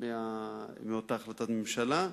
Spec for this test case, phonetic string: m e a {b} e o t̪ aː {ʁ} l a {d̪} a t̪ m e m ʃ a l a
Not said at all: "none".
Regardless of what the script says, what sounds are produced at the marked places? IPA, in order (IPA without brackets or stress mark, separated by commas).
m, χ, t̪